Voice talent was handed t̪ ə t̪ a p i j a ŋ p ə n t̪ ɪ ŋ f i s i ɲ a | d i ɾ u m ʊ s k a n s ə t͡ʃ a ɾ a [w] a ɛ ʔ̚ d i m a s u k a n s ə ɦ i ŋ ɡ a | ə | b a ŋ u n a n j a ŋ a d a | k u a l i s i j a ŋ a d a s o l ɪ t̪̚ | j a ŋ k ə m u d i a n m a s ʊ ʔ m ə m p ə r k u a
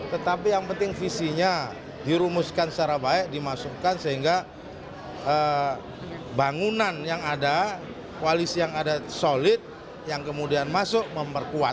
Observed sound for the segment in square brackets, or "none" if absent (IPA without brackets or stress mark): b